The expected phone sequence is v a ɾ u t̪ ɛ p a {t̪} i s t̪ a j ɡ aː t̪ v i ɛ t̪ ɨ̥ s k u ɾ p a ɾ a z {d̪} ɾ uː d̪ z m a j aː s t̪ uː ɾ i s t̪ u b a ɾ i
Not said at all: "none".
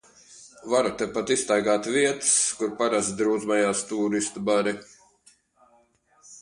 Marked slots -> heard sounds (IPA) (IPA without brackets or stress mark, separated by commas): t̪, d̪